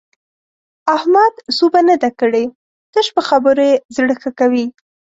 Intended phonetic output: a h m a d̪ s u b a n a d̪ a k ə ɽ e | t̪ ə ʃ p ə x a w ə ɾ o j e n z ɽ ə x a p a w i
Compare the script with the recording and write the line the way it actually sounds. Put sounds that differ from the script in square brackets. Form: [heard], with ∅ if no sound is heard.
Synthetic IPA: a h m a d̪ s u b a n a d̪ a k ə ɽ e | t̪ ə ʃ p ə x a [b] ə ɾ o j e [∅] z ɽ ə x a [k] a w i